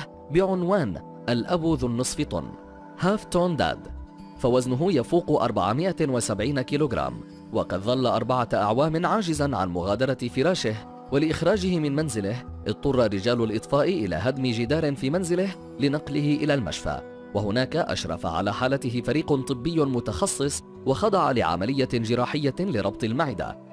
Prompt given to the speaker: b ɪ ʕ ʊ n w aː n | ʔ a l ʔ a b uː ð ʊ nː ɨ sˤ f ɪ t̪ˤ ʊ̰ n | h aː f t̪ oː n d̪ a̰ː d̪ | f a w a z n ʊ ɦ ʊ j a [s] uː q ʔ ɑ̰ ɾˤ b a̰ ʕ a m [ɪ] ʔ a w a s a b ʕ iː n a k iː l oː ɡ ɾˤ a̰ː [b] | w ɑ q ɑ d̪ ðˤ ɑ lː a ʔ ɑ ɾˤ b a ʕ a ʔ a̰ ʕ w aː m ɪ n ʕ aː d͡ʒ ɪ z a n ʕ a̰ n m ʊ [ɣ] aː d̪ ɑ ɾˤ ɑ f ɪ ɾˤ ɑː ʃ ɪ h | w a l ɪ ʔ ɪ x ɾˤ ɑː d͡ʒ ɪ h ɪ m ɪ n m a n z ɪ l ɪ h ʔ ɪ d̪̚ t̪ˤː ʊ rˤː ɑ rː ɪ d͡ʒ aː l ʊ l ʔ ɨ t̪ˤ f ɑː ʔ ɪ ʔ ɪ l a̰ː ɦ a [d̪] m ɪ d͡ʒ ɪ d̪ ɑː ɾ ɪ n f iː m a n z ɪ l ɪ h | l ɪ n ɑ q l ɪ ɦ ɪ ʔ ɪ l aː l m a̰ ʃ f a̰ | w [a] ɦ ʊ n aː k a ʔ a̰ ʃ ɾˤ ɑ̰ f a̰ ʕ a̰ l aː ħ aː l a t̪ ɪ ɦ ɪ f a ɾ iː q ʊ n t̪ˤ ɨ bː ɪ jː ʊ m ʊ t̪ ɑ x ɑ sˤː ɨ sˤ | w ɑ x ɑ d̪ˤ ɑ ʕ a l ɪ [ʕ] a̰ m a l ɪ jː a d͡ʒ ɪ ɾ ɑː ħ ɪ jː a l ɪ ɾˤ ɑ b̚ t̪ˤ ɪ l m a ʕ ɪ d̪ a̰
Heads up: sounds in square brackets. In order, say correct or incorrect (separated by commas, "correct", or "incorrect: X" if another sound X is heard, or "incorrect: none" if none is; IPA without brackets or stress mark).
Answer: incorrect: f, correct, incorrect: m, correct, correct, correct, correct